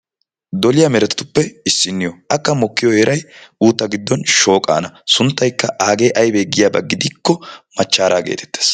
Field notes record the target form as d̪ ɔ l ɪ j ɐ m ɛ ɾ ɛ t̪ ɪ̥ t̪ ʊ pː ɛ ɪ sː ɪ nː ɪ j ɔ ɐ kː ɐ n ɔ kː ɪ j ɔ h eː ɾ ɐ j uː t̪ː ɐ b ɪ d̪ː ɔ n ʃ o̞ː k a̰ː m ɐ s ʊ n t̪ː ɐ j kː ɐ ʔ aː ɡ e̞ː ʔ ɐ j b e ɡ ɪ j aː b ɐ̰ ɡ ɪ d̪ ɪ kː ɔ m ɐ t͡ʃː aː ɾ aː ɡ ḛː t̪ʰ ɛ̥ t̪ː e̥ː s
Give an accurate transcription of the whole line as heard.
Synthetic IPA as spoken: d̪ ɔ l ɪ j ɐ m ɛ ɾ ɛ t̪ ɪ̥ t̪ ʊ pː ɛ ɪ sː ɪ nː ɪ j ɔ ɐ kː ɐ m ɔ kː ɪ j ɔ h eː ɾ ɐ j uː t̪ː ɐ ɡ ɪ d̪ː ɔ n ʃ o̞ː kʼ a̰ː n ɐ s ʊ n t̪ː ɐ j kː ɐ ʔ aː ɡ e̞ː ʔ ɐ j b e ɡ ɪ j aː b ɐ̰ ɡ ɪ d̪ ɪ kː ɔ m ɐ t͡ʃː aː ɾ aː ɡ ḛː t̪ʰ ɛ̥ t̪ː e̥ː s